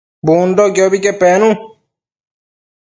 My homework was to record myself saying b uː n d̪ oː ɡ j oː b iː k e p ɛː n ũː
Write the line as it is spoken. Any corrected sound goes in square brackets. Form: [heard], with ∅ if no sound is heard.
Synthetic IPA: b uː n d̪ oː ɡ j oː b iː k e p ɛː n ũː